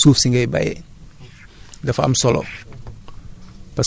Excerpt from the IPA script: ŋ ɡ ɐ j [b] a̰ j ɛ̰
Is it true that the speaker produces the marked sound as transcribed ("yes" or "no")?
yes